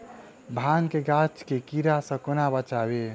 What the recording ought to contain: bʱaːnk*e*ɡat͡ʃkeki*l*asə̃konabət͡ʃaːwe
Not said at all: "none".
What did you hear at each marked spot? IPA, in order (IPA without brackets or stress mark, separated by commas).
e, ɾ